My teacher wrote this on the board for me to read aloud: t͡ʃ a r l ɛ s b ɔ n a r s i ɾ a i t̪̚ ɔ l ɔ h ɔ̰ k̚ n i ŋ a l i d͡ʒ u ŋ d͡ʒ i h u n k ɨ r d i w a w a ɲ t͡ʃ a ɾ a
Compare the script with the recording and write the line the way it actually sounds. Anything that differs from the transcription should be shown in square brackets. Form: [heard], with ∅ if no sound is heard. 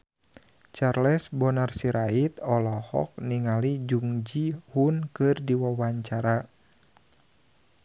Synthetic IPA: t͡ʃ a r l ɛ s b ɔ n a r s i ɾ a i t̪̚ ɔ l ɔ h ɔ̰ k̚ n i ŋ a l i d͡ʒ u ŋ d͡ʒ i h u n k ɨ r d i w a w a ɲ t͡ʃ a ɾ a